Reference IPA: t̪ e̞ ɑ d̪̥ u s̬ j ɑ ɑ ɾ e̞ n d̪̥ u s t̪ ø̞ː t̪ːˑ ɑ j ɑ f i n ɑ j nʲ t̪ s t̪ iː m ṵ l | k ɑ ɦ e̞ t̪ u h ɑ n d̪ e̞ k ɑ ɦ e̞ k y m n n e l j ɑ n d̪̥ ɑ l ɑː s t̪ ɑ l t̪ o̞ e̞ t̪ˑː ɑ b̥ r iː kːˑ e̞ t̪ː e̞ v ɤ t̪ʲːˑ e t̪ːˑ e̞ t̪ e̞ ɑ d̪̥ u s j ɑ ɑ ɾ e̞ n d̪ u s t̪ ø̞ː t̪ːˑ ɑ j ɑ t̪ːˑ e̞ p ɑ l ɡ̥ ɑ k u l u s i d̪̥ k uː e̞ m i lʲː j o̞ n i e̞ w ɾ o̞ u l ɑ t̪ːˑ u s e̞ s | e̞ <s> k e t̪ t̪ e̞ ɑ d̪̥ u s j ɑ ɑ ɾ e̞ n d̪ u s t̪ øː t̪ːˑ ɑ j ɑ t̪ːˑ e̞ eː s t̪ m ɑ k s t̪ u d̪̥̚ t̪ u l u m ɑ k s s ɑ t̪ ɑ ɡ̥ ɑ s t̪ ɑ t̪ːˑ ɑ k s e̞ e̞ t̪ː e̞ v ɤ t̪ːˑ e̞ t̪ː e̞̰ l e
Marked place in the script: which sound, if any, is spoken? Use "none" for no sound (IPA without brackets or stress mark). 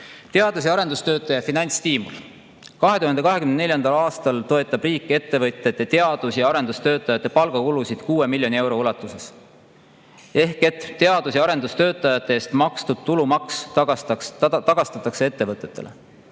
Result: h